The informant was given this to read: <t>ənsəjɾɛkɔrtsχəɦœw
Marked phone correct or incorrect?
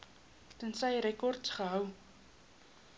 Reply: correct